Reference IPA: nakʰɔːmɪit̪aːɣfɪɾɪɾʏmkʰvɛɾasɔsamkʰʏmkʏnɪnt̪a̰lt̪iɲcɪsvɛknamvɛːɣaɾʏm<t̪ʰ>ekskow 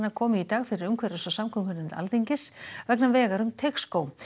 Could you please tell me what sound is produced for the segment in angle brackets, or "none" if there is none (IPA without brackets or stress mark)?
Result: t̪ʰ